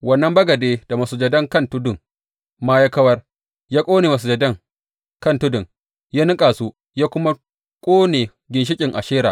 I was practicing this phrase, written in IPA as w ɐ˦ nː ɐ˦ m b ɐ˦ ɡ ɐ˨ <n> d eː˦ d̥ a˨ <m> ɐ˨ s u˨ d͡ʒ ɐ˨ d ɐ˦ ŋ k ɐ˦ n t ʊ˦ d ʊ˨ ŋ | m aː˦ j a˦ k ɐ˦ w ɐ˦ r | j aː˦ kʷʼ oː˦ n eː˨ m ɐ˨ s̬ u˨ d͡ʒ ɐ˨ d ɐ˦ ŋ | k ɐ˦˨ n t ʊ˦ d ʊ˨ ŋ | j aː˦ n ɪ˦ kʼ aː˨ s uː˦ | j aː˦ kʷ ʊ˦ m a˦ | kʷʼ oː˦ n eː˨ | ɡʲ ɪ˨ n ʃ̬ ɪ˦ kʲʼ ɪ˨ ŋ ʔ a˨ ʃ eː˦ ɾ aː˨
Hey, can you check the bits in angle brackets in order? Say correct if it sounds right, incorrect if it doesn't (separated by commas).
incorrect, correct